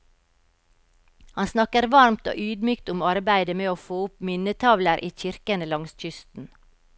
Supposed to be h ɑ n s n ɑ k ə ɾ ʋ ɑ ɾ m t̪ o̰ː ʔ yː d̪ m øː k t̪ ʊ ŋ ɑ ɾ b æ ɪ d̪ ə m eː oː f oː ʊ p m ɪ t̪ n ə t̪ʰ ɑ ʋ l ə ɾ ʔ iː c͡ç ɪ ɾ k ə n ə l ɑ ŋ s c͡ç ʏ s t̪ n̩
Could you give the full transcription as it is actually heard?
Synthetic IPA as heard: h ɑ n s n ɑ k ə ɾ ʋ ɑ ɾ m t̪ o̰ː ʔ yː d̪ m yː k t̪ ʊ m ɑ ɾ b æ ɪ d̪ ə m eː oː f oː ʊ p m ɪ n ə t̪ʰ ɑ ʋ l ə ɾ ʔ iː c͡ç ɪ ɾ k ə n ə l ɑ ŋ s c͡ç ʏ s t̪ n̩